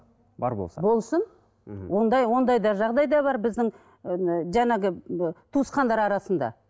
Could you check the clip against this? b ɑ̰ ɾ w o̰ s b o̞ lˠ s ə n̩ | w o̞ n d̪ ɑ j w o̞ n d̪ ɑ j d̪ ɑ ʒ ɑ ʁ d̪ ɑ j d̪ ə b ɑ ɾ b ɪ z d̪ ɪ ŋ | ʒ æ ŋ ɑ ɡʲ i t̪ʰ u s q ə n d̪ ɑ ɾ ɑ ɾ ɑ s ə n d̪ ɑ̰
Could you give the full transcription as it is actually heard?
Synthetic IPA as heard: b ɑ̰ ɾ b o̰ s b o̞ lˠ s ə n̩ | w o̞ n d̪ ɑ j w o̞ n d̪ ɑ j d̪ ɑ ʒ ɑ ʁ d̪ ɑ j d̪ ɑ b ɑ ɾ b ɪ z d̪ ɪ ŋ | ʒ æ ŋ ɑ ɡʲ ɪ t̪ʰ u s q ɑ n d̪ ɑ ɾ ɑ ɾ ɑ s ə n d̪ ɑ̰

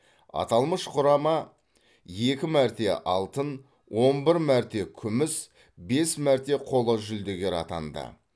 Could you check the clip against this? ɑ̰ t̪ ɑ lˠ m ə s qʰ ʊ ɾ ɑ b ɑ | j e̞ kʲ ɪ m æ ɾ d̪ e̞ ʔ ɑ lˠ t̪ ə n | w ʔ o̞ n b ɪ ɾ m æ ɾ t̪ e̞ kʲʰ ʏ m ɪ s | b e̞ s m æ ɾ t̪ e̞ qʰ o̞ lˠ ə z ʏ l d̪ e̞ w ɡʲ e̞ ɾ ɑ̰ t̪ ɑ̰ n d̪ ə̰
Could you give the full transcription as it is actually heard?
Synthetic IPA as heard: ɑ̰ t̪ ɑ lˠ m ə ʃ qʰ ʊ ɾ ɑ m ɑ | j e̞ kʲ ɪ m æ ɾ t̪ e̞ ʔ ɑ lˠ t̪ ə n | w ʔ o̞ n b ɪ ɾ m æ ɾ t̪ e̞ kʲʰ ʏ m ɪ s | b e̞ s m æ ɾ t̪ e̞ qʰ o̞ lˠ ə ʒ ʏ l d̪ e̞ ɡʲ e̞ ɾ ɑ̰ t̪ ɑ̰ n d̪ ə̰

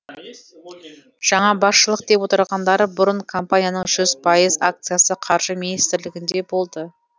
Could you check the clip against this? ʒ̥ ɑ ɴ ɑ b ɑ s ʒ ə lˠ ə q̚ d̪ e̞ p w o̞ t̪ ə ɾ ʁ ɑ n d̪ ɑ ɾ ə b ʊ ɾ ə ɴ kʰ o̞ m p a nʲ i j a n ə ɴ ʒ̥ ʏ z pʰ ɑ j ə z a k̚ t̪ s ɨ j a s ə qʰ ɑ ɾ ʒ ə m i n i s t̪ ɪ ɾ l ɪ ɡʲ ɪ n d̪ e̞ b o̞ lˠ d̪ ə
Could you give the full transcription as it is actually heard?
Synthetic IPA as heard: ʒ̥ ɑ ɴ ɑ b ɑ s ʃ ə lˠ ə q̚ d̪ e̞ p w o̞ t̪ ə ɾ ʁ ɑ n d̪ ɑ ɾ ə b ʊ ɾ ə ɴ kʰ o̞ m p a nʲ i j a n ə ɴ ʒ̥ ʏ z pʰ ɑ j ə z a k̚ t̪ s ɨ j a s ə qʰ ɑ ɾ ʒ ə m i n i s t̪ ɪ ɾ l ɪ ɡʲ ɪ n d̪ e̞ b o̞ lˠ d̪ ə

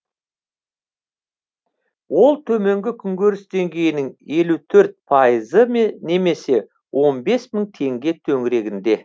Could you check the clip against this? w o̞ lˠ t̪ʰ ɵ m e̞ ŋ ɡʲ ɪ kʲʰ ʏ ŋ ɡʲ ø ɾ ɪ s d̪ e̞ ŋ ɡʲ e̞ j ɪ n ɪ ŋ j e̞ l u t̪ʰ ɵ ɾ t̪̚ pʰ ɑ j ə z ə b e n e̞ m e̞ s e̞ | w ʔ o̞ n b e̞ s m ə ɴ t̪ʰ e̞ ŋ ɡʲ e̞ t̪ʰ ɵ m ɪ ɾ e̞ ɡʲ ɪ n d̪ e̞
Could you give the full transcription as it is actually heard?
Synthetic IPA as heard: w o̞ lˠ t̪ʰ ɵ m e̞ ŋ ɡʲ ɪ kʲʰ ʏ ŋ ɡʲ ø ɾ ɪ s d̪ e̞ ŋ ɡʲ e̞ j ɪ n ɪ ŋ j e̞ l u t̪ʰ ɵ ɾ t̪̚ pʰ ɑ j ə z ə m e n e̞ m e̞ s e̞ | w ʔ o̞ n b e̞ s m ə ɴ t̪ʰ e̞ ŋ ɡʲ e̞ t̪ʰ ɵ ŋ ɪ ɾ e̞ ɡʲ ɪ n d̪ e̞

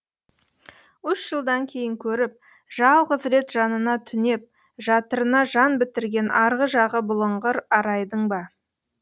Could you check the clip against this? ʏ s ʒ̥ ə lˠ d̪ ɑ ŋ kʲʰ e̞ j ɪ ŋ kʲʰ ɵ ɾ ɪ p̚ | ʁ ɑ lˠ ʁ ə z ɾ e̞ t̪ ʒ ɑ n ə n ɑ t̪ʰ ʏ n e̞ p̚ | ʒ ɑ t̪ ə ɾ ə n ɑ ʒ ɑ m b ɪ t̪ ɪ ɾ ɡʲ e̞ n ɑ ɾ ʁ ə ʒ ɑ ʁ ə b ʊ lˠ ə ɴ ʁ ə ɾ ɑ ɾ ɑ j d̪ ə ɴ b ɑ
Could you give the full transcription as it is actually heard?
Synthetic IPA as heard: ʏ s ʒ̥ ə lˠ d̪ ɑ ŋ kʲʰ e̞ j ɪ ŋ kʲʰ ɵ ɾ ɪ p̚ | ʒ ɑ lˠ ʁ ə z ɾ e̞ t̪ ʒ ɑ n ə n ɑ t̪ʰ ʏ n e̞ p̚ | ʒ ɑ t̪ ə ɾ ə n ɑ ʒ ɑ n b ɪ t̪ ɪ ɾ ɡʲ e̞ n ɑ ɾ ʁ ə ʒ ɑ ʁ ə b ʊ lˠ ə ɴ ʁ ə ɾ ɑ ɾ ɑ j d̪ ə ɴ b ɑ

